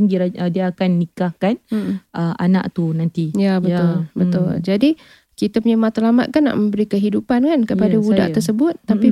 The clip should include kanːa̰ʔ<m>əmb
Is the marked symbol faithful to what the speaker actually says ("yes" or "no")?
yes